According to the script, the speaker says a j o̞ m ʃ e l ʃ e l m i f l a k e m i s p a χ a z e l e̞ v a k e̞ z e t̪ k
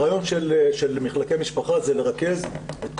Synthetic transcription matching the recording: a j o̞ n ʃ e l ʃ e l m i χ l a k e m i ʃ p a χ a z e l e̞ ʁ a k e̞ z e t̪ k